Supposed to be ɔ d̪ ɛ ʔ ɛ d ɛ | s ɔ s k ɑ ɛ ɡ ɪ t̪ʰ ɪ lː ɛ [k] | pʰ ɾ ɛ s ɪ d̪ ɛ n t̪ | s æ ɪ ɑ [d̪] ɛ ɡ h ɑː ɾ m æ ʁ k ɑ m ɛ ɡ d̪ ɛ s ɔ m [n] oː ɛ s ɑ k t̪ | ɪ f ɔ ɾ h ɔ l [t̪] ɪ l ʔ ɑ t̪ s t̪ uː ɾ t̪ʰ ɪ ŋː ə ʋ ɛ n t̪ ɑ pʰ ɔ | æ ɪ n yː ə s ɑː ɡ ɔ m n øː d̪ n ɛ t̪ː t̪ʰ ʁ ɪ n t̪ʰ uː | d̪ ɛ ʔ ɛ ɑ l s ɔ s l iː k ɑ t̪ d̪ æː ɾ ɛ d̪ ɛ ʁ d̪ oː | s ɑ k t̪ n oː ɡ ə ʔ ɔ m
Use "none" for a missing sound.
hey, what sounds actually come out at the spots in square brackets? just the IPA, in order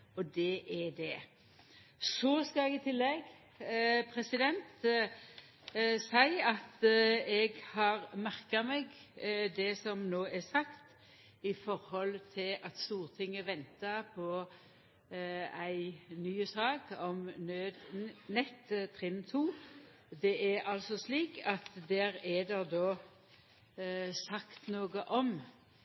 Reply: ɡ, t̪, n, t̪ʰ

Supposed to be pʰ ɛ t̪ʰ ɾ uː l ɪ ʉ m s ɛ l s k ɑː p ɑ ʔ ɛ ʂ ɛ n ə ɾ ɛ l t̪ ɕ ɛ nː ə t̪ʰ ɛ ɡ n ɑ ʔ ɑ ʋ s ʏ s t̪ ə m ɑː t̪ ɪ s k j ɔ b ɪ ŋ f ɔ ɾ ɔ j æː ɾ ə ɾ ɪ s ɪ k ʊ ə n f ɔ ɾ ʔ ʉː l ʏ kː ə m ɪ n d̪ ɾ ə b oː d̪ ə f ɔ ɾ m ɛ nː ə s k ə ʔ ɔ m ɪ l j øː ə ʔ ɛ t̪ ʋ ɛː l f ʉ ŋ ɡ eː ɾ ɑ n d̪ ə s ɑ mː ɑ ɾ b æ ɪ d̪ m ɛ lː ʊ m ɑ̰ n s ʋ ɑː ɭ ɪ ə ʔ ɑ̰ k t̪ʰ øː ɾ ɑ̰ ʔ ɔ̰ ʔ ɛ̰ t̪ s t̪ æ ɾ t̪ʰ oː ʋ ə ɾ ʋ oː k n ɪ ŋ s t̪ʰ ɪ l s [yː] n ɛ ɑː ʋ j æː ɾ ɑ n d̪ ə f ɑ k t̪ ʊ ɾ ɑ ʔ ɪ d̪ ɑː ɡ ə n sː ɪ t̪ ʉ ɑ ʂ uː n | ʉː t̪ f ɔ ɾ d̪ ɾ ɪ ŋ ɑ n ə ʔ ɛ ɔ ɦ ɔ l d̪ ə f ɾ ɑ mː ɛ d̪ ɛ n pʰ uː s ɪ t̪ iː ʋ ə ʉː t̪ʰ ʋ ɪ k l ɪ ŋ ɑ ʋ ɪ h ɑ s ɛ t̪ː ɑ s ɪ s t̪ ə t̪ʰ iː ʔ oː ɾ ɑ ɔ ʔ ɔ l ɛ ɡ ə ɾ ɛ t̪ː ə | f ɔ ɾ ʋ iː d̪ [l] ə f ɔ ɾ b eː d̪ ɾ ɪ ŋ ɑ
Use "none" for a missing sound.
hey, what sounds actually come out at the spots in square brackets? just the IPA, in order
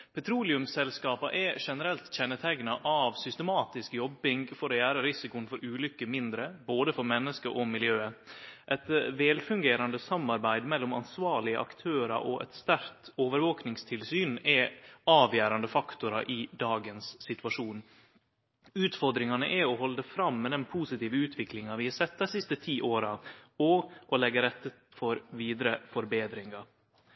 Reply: yː, ɾ

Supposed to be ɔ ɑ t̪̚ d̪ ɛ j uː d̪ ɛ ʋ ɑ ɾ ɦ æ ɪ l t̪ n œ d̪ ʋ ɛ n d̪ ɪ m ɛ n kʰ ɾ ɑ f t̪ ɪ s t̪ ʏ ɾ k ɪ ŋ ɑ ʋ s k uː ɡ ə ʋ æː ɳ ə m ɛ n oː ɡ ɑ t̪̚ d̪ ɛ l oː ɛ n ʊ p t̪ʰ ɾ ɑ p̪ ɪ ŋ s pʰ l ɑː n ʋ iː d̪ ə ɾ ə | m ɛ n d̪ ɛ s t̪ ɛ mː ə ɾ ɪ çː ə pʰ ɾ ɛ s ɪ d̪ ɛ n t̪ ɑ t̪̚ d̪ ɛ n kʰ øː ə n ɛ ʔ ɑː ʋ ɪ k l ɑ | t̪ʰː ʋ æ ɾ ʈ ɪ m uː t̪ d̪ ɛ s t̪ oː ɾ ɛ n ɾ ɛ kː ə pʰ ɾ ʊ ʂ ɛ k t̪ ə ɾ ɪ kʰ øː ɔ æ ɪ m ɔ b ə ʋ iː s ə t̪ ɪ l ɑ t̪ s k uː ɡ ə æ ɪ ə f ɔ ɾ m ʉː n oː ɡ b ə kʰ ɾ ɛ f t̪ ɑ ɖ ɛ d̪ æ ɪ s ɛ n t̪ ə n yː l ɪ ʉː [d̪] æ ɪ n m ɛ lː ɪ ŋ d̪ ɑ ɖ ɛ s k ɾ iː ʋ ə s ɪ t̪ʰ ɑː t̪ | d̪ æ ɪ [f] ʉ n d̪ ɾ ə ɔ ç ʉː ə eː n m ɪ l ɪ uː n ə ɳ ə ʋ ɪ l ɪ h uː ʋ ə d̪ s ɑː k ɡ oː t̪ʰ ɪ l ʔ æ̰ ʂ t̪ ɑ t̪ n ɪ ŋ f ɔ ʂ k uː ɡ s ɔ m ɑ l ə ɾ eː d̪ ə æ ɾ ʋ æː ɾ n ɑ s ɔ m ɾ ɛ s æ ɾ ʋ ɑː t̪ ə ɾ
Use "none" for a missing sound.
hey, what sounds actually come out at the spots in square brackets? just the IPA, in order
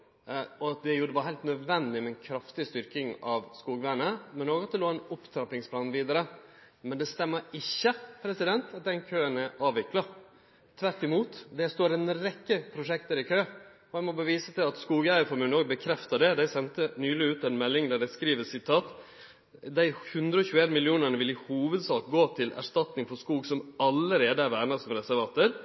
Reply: t̪, h

